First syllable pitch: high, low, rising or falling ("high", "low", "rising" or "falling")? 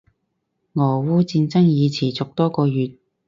low